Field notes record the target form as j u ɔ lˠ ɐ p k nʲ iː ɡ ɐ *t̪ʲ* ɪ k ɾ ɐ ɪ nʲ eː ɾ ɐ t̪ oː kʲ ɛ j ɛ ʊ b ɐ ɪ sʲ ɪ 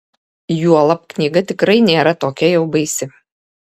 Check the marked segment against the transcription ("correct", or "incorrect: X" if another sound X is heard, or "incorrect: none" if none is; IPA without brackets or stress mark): correct